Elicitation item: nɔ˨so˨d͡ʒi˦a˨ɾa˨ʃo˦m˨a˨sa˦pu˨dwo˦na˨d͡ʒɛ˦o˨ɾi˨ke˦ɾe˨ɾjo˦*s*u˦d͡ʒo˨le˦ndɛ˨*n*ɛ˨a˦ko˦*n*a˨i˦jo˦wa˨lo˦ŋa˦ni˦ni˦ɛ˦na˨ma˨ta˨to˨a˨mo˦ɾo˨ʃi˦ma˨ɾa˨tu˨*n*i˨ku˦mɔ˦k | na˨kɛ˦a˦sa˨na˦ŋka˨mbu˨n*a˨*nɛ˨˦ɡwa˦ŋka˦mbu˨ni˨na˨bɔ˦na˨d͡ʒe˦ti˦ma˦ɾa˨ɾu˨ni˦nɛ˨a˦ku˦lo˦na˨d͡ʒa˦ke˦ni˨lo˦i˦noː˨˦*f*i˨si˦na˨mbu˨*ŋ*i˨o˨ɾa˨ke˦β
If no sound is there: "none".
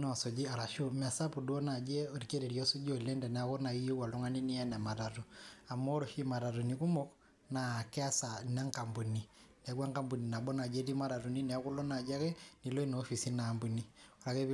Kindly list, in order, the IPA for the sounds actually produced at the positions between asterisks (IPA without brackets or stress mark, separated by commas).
s, n, n, n, i˨, f, n